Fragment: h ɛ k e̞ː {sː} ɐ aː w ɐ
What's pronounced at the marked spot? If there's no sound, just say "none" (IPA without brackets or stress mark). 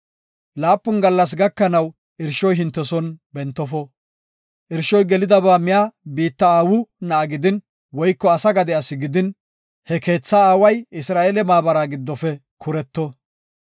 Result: t͡sː